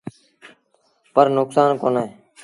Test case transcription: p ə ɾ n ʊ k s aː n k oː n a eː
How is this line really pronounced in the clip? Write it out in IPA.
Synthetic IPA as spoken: p ə ɾ n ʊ k s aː n k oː n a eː

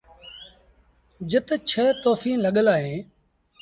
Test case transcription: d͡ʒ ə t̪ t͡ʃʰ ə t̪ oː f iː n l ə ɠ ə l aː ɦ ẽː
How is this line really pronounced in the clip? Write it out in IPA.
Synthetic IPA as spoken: d͡ʒ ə t̪ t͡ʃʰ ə t̪ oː f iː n l ə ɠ ə l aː ɦ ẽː

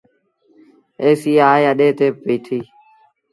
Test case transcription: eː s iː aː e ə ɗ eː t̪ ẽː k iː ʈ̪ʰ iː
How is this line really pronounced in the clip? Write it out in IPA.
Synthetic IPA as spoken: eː s iː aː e ə ɗ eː t̪ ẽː p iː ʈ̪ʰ iː

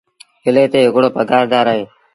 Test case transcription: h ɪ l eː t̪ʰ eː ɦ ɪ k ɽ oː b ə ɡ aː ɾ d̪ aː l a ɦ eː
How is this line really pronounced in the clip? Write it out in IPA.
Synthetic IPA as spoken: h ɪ l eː t̪ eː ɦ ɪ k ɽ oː p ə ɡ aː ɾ d̪ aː ɾ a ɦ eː

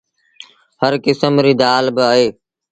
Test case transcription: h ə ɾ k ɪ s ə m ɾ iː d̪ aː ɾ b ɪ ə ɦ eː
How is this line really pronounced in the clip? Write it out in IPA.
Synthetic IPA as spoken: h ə ɾ k ɪ s ə m ɾ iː d̪ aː l b ɪ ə ɦ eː

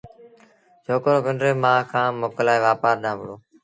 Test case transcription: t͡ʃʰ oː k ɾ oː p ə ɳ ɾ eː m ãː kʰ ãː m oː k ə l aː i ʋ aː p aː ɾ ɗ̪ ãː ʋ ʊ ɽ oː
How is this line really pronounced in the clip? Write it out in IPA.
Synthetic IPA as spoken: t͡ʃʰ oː k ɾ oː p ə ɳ ɾ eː m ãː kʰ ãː m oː k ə l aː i ʋ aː p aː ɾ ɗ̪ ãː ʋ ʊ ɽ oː

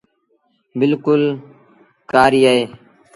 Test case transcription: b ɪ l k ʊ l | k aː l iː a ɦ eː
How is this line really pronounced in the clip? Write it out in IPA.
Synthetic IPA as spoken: b ɪ l k ʊ l | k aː ɾ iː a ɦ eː

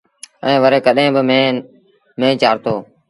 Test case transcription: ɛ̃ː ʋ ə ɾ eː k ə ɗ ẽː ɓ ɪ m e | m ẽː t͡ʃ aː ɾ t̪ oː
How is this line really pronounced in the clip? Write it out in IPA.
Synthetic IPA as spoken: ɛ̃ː ʋ ə ɾ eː k ə ɗ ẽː b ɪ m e | m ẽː t͡ʃ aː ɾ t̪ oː

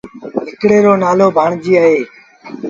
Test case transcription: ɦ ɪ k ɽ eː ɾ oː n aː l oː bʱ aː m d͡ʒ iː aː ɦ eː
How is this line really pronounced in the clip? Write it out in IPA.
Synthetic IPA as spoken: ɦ ɪ k ɽ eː ɾ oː n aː l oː bʱ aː ɳ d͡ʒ iː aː ɦ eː

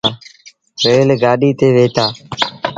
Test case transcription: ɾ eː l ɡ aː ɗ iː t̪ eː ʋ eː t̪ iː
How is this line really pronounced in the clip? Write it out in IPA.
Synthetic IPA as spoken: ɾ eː l ɡ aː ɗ iː t̪ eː ʋ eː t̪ aː

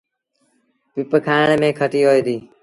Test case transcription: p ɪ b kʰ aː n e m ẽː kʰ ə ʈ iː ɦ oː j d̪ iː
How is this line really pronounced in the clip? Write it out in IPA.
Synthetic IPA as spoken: p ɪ p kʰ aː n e m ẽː kʰ ə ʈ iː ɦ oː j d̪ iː

